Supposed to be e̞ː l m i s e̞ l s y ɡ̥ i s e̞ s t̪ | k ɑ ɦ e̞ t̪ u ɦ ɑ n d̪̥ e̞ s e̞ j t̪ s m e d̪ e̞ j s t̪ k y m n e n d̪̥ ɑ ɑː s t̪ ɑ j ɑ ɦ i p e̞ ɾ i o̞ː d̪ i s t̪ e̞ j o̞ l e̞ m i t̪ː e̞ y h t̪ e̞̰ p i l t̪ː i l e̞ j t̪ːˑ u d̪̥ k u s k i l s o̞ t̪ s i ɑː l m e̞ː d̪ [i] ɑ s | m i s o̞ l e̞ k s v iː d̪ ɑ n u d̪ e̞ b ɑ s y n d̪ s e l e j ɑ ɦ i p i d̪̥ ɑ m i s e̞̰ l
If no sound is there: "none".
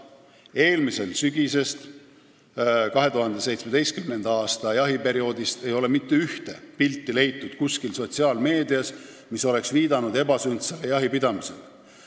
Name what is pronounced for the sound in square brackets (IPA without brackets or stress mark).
i